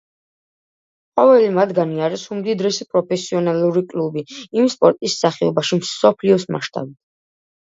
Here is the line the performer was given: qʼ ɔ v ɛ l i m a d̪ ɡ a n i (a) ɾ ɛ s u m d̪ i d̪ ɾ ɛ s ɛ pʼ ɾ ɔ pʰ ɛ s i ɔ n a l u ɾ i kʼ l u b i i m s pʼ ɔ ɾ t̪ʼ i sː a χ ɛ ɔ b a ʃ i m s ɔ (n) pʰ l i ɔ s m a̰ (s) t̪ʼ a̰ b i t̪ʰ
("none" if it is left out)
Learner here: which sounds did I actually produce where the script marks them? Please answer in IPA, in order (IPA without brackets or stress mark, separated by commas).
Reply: a, none, ʃ